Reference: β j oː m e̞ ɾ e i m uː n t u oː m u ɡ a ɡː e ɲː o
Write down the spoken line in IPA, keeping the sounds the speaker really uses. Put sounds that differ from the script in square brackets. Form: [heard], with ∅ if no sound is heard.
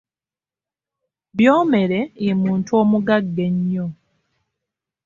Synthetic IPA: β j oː m e̞ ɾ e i m uː n t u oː m u ɡ a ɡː e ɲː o

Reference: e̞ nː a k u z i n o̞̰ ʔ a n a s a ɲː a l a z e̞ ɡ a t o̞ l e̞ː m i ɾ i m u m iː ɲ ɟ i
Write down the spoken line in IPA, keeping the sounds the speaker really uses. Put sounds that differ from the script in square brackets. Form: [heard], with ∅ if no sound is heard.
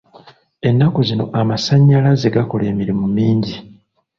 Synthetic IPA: e̞ nː a k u z i n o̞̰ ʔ a [m] a s a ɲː a l a z e̞ ɡ a [k] o̞ l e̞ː m i ɾ i m u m iː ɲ ɟ i

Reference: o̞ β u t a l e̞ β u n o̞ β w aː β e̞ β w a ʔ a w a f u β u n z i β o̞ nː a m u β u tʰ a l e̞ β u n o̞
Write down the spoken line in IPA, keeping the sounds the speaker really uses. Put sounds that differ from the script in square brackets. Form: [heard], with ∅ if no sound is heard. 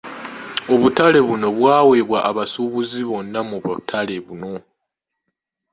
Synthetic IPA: o̞ β u t a l e̞ β u n o̞ β w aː [w] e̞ β w a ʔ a [β] a [s] u β u [∅] z i β o̞ nː a m u β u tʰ a l e̞ β u n o̞

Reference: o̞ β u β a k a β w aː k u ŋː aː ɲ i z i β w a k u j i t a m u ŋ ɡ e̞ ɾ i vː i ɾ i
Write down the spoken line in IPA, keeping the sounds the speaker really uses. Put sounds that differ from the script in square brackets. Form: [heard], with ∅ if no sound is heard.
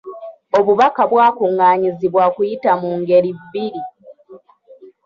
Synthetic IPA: o̞ β u β a k a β w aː k u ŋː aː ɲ i z i β w a k u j i t a m u ŋ ɡ e̞ ɾ i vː i ɾ i

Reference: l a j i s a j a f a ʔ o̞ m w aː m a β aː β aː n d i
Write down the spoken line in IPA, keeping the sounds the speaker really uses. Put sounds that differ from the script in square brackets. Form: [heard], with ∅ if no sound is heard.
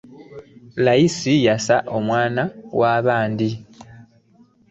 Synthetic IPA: l a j i s [i] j a [s] a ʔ o̞ m w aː [n] a [w] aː β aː n d i

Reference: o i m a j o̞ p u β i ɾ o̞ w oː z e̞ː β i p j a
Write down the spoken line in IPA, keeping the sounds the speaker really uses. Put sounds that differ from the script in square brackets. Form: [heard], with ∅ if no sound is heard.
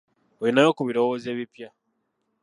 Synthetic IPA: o i [n] a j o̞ [k] u β i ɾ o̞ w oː z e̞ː β i p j a

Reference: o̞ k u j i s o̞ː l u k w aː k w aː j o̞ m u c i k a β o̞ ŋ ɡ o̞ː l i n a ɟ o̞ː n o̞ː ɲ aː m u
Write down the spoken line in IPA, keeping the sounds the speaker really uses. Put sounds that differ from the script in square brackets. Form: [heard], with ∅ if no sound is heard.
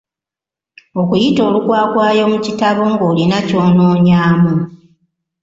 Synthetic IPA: o̞ k u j i [t] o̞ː l u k w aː k w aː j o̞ m u c i [t] a β o̞ ŋ ɡ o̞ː l i n a [c] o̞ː n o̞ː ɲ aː m u

